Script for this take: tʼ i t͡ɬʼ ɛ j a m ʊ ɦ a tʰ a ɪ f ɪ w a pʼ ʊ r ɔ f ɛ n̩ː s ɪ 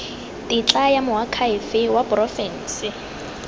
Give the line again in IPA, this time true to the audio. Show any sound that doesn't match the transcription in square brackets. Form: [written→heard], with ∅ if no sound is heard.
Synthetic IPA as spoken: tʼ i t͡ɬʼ [ɛ→a] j a m ʊ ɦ a [tʰ→kʰ] a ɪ f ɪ w a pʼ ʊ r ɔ f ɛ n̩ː s ɪ

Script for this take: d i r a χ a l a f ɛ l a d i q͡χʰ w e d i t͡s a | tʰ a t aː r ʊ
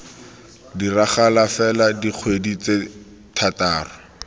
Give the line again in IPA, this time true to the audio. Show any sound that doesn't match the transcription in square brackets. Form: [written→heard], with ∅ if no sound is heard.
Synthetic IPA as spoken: d i r a χ a l a f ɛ l a d i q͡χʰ w e d i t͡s [a→e] | tʰ a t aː r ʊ

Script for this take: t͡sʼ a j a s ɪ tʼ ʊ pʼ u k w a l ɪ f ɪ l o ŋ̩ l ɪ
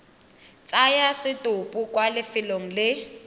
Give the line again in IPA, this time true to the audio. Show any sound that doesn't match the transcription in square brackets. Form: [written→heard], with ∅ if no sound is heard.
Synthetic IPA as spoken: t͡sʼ a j a s ɪ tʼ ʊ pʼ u k w a l ɪ f ɪ l o ŋ̩ l ɪ

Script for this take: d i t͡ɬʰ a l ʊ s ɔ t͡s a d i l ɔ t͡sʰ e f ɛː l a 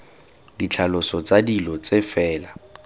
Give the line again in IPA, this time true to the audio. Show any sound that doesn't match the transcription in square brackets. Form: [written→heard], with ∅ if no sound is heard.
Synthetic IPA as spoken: d i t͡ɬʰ a l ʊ s ɔ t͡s a d i l ɔ [t͡sʰ→t͡s] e f ɛː l a

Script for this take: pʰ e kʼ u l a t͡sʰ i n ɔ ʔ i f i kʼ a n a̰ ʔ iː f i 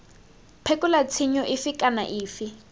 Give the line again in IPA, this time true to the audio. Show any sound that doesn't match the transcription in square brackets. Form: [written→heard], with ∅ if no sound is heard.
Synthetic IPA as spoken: pʰ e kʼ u l a t͡sʰ i [n→ɲ] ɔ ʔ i f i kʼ a n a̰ ʔ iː f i

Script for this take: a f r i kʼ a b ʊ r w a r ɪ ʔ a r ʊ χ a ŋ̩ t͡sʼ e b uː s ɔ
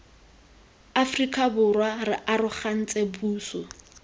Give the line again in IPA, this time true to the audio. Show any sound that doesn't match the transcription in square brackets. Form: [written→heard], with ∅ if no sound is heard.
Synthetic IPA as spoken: a f r i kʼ a b ʊ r w a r ɪ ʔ a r ʊ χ a [ŋ̩→n̩] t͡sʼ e b uː s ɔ

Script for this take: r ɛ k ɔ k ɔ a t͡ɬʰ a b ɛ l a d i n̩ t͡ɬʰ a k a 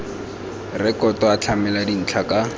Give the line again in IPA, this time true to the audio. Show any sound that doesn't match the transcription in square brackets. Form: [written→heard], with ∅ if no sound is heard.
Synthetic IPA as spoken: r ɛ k ɔ [k→t] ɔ a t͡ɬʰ a [b→m] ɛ l a d i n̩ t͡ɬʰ a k a

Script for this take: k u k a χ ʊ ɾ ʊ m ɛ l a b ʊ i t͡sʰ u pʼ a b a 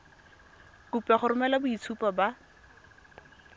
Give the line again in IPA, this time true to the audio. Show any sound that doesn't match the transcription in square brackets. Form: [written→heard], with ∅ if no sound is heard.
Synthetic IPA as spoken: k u [k→p] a χ ʊ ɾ ʊ m ɛ l a b ʊ i t͡sʰ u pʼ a b a

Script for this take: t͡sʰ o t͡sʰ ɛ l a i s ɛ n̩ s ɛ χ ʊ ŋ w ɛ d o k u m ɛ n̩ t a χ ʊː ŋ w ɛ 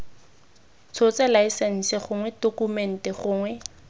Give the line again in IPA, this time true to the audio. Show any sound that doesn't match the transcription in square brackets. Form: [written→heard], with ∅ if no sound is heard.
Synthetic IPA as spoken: t͡sʰ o [t͡sʰ→t͡s] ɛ l a i s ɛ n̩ s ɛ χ ʊ ŋ w ɛ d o k u m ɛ n̩ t [a→ɛ] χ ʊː ŋ w ɛ

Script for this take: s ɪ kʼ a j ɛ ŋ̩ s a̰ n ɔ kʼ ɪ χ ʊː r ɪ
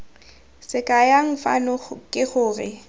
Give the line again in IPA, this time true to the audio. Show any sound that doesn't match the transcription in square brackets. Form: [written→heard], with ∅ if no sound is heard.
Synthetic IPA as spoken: s ɪ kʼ a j [ɛ→a] ŋ̩ [s→f] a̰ n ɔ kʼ ɪ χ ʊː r ɪ

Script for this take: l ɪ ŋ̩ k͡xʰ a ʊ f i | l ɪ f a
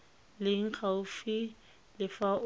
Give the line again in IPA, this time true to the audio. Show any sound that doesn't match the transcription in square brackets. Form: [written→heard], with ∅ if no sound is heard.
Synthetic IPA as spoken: l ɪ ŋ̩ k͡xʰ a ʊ f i | l ɪ f a

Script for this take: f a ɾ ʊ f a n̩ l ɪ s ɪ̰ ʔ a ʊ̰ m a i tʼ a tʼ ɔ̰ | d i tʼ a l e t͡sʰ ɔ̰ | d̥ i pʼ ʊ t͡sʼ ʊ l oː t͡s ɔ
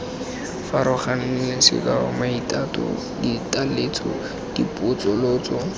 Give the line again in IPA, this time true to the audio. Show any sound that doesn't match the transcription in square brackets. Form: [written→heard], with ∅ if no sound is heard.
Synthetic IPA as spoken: f a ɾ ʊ [f→χ] a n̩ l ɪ s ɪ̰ [ʔ→k] a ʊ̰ m a i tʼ a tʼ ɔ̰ | d i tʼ a l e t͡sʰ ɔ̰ | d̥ i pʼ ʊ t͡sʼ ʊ l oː t͡s ɔ

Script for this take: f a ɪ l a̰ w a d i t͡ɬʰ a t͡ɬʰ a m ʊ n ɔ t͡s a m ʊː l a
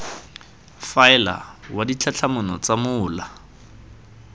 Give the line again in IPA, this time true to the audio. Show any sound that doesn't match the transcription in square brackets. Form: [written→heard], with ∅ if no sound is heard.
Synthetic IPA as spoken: f a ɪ l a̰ w a d i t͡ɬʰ a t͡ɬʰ a m ʊ n ɔ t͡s a m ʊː l a

